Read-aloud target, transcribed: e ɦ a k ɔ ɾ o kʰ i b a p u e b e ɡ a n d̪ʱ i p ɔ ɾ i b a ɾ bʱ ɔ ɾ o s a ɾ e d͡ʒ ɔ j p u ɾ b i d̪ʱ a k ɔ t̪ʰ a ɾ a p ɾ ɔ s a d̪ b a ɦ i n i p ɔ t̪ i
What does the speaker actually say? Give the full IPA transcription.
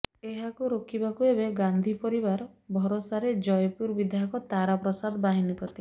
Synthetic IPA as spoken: e ɦ a k u ɾ o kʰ i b a k u e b e ɡ a n d̪ʱ i p ɔ ɾ i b a ɾ bʱ ɔ ɾ o s a ɾ e d͡ʒ ɔ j p u ɾ b i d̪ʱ a k ɔ t̪ a ɾ a p ɾ ɔ s a d̪ b a ɦ i n i p ɔ t̪ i